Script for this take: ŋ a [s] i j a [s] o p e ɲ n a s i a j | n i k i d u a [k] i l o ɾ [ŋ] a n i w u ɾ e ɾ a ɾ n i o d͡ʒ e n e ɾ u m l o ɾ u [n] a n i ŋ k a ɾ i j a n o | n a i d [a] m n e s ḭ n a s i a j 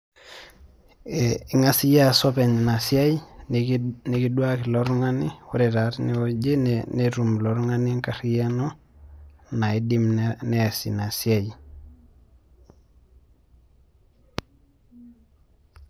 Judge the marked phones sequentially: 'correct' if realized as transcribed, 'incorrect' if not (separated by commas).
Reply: correct, correct, correct, correct, incorrect, incorrect